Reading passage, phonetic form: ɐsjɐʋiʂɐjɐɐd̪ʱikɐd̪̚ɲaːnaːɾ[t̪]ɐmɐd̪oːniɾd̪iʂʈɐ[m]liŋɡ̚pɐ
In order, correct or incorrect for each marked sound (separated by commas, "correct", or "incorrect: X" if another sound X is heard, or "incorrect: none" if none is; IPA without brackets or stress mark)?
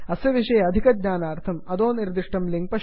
incorrect: t̪ʰ, correct